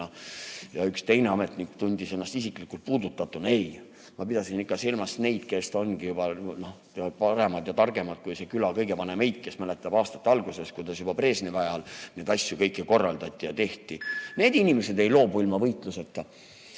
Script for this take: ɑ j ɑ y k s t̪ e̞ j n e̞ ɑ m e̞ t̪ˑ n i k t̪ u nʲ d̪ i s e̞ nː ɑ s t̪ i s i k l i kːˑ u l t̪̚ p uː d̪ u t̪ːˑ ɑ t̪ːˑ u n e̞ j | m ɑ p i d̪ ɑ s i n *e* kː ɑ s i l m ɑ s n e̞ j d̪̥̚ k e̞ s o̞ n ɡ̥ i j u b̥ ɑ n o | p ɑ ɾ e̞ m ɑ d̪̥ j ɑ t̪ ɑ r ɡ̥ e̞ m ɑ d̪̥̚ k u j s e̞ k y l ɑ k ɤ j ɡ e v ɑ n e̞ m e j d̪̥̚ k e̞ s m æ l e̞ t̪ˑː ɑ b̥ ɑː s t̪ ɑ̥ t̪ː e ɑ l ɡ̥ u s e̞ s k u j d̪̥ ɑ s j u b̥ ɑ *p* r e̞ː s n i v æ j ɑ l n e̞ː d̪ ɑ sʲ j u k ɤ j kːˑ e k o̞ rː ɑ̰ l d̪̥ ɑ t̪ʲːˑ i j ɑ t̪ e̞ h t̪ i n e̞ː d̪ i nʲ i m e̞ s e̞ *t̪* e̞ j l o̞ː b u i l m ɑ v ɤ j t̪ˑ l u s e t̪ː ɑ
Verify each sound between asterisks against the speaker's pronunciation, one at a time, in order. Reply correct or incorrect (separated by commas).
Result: incorrect, correct, incorrect